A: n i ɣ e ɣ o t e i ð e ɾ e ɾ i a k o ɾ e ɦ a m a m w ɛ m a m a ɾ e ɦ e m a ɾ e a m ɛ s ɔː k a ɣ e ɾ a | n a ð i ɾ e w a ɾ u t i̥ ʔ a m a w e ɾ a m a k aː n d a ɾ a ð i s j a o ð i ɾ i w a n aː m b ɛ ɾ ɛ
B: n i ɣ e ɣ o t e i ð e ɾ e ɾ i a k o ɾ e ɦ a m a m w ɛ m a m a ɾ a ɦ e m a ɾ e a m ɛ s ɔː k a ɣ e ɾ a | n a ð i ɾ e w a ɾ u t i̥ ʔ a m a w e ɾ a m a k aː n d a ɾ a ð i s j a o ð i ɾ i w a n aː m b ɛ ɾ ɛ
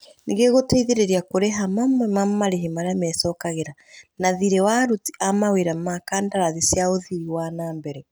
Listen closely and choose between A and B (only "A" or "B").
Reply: A